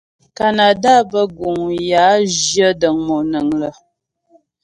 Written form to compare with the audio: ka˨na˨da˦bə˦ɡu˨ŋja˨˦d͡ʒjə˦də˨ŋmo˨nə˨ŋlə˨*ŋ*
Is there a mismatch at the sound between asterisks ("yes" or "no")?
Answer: yes